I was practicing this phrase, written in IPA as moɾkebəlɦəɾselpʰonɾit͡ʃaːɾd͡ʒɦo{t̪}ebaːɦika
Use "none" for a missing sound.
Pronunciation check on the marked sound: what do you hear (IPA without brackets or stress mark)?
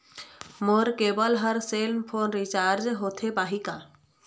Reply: t̪ʰ